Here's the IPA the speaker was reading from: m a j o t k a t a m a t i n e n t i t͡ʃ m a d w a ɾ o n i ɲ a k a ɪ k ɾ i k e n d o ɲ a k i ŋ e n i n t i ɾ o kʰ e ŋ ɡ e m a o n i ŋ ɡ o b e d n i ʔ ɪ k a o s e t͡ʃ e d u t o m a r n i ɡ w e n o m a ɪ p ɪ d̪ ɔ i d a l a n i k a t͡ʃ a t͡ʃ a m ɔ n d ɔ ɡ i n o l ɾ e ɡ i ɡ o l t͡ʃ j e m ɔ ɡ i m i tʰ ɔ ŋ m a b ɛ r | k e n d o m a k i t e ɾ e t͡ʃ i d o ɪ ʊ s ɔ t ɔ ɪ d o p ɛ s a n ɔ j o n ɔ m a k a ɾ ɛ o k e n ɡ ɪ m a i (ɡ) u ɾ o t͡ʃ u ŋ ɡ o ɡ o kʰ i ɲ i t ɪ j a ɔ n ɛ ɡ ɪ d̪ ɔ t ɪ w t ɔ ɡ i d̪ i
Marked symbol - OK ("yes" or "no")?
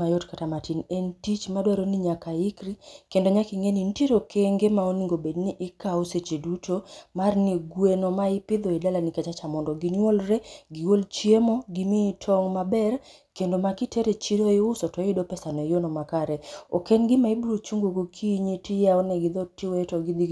no